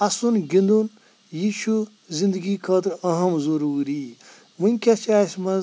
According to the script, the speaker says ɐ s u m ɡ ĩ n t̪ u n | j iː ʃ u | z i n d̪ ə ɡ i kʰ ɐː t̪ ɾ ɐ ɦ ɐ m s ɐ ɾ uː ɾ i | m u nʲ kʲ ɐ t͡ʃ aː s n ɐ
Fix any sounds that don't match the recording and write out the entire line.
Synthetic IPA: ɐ s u n ɡ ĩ n d̪ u n | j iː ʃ u | z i n d̪ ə ɡ i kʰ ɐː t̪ ɾ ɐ ɦ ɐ m z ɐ ɾ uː ɾ i | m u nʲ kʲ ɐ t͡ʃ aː s m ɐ